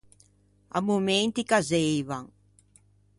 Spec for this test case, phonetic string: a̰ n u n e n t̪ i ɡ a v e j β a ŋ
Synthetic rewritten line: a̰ m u m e n t̪ i k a z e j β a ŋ